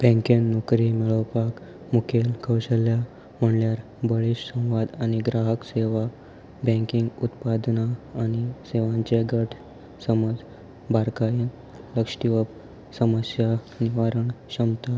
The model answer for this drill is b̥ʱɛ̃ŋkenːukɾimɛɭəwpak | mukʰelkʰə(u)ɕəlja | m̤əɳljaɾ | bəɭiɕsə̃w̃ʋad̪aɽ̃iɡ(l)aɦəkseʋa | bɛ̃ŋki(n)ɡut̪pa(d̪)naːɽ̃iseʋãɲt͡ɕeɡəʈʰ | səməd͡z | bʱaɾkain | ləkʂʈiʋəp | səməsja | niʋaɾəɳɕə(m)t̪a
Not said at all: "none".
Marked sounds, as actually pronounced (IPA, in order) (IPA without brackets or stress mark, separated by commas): w, ɾ, ŋ, d̪, m